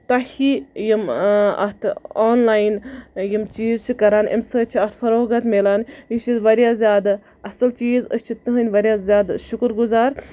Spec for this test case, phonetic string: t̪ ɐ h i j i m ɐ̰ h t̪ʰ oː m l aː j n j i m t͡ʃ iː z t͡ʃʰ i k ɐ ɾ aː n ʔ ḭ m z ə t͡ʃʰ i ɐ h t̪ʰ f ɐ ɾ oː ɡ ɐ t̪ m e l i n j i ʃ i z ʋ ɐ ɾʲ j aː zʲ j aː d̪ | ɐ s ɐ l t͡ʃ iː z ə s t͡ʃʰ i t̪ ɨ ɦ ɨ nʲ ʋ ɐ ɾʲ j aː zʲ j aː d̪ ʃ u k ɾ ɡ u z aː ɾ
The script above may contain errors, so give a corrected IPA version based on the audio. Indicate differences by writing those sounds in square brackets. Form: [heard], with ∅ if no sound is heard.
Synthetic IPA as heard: t̪ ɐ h i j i m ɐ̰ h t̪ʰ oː [n] l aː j n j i m t͡ʃ iː z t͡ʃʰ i k ɐ ɾ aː n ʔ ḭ m [s] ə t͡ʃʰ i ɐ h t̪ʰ f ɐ ɾ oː ɡ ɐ t̪ m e l [a] n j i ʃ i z ʋ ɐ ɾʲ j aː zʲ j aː d̪ | ɐ s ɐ l t͡ʃ iː z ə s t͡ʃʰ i t̪ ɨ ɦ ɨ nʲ ʋ ɐ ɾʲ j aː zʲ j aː d̪ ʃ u k ɾ ɡ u z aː ɾ

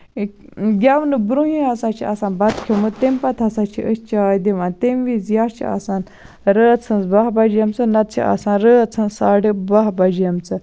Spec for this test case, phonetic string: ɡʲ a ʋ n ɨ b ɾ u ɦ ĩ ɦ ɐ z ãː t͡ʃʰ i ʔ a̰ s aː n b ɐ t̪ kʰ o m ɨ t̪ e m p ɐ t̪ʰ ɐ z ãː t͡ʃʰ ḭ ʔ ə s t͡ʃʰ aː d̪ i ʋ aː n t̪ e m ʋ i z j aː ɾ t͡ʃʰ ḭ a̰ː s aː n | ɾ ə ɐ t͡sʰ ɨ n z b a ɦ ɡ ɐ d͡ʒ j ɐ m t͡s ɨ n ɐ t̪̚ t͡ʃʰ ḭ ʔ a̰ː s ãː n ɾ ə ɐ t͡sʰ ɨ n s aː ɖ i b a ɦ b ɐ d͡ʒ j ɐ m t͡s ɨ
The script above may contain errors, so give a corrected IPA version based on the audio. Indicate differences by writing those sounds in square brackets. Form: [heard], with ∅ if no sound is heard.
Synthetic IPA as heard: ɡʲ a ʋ n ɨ b ɾ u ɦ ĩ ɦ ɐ [s] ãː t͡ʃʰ i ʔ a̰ s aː n b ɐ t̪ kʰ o m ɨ t̪ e m p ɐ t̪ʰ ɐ [s] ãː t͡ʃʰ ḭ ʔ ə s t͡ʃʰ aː d̪ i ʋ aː n t̪ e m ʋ i z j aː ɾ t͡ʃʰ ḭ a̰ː s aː n | ɾ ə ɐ t͡sʰ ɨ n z b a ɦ [b] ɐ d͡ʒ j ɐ m t͡s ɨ n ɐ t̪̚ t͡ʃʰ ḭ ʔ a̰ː s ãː n ɾ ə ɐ t͡sʰ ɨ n s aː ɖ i b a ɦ b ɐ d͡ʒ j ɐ m t͡s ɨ

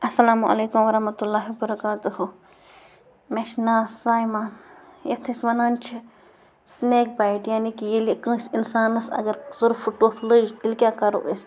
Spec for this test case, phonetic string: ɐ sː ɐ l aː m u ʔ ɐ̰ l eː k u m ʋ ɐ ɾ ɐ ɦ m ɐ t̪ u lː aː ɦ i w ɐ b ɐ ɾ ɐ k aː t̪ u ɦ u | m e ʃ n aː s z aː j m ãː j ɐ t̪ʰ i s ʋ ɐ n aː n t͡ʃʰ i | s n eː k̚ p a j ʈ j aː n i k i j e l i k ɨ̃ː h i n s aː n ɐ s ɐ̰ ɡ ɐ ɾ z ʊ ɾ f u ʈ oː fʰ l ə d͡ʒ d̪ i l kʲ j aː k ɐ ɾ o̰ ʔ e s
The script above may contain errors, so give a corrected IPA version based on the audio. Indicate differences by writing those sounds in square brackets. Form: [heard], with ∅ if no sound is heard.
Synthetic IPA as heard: ɐ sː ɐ l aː m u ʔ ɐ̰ l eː k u m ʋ ɐ ɾ ɐ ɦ m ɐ t̪ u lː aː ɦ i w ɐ b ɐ ɾ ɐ k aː t̪ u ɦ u | m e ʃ n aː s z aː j m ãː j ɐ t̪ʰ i s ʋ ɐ n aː n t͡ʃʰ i | s n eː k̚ [b] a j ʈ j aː n i k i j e l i k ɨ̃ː [s] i n s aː n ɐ s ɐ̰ ɡ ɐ ɾ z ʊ ɾ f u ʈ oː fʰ l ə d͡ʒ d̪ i l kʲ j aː k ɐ ɾ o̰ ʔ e s

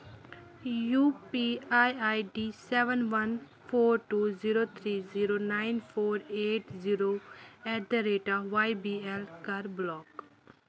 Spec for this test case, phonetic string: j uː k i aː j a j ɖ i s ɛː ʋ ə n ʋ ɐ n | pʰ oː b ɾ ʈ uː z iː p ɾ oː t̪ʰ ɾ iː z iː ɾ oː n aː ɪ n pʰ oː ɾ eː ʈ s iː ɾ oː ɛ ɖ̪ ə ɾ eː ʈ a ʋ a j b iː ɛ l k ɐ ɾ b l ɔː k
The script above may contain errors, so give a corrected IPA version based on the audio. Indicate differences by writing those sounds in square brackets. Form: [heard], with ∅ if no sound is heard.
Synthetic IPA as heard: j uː [p] i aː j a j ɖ i s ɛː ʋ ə n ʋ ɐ n | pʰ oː [∅] ɾ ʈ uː z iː [∅] ɾ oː t̪ʰ ɾ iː z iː ɾ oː n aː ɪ n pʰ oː ɾ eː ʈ [z] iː ɾ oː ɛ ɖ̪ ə ɾ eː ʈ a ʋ a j b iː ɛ l k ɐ ɾ b l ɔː k

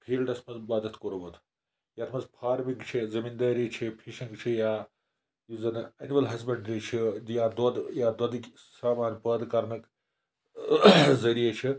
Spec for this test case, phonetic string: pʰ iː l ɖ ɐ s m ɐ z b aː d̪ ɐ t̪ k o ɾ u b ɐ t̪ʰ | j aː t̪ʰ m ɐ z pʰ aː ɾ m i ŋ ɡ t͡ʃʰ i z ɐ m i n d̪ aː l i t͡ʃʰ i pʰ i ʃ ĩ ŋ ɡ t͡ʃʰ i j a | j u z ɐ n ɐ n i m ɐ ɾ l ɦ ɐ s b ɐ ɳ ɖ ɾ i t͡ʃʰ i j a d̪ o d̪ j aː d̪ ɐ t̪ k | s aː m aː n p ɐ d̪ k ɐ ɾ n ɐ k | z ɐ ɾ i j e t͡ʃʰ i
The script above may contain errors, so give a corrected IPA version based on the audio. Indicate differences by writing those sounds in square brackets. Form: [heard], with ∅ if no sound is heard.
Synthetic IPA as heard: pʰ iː l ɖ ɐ s m ɐ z b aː d̪ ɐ t̪ k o ɾ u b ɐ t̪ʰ | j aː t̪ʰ m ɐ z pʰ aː ɾ m i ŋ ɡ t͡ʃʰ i z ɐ m i n d̪ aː [ɾ] i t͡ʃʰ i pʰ i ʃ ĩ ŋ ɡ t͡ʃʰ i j a | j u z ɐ n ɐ n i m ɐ [∅] l ɦ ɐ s b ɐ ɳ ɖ ɾ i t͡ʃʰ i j a d̪ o d̪ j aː d̪ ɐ [d̪] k | s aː m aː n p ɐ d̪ k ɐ ɾ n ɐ k | z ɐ ɾ i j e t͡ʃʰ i

